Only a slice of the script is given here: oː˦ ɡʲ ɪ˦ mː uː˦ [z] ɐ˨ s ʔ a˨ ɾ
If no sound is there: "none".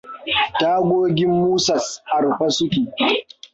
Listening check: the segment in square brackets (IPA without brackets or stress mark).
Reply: s